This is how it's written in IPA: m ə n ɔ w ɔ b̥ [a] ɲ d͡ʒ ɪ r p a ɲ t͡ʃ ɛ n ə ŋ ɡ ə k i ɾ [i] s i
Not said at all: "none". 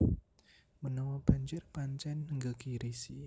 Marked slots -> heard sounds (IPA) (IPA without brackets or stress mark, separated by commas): a, i